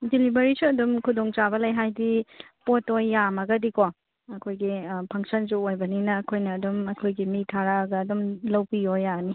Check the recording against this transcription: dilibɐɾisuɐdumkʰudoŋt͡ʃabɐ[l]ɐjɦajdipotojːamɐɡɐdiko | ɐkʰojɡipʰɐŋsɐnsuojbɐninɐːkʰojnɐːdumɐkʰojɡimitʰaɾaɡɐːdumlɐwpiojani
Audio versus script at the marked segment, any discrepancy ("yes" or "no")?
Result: no